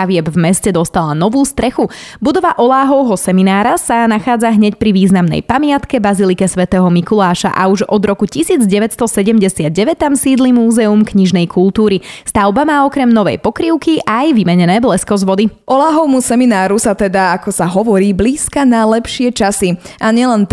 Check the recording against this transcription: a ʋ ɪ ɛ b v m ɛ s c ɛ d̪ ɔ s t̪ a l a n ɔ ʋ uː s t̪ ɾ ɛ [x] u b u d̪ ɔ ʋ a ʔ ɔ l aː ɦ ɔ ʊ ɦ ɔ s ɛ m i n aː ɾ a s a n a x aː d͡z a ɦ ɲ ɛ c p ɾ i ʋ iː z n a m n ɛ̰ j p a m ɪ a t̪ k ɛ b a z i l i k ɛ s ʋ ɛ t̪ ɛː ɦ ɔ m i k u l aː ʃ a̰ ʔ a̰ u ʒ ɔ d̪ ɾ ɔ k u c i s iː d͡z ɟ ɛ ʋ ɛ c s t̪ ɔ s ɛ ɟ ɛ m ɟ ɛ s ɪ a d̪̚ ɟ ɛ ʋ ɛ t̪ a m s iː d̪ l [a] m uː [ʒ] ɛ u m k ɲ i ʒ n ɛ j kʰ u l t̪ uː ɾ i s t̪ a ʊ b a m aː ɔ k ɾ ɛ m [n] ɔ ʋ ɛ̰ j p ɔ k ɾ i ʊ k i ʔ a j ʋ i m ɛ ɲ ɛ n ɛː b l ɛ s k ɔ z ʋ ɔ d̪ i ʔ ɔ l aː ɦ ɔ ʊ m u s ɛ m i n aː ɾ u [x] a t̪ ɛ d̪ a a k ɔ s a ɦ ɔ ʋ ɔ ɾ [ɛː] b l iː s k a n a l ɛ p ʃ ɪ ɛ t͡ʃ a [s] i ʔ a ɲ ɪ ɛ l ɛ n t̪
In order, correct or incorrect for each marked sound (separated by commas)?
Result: correct, incorrect, incorrect, correct, incorrect, incorrect, correct